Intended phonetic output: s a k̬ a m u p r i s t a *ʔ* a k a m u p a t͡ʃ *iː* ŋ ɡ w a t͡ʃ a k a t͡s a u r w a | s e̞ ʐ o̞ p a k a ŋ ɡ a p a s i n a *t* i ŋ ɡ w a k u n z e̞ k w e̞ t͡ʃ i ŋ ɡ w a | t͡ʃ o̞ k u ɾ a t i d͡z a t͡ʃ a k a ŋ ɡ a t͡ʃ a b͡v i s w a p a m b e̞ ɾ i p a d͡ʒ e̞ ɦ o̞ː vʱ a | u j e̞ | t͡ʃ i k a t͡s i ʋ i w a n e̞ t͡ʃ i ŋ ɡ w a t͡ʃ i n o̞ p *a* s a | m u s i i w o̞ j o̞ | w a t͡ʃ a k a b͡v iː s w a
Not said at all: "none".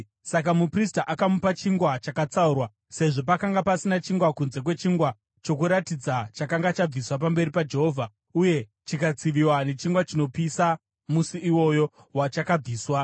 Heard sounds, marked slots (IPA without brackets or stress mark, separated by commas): ʔ, i, t͡ʃ, i